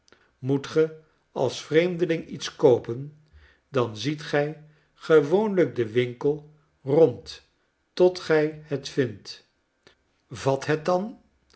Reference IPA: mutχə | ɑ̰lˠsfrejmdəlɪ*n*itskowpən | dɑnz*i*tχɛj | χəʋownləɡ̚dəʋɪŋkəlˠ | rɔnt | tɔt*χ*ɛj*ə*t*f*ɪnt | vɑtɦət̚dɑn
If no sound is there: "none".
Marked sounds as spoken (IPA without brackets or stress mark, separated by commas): ŋ, i, χ, ə, f